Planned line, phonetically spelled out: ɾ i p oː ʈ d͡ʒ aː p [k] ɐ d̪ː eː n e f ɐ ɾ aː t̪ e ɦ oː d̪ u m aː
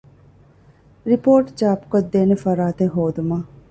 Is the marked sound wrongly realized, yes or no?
no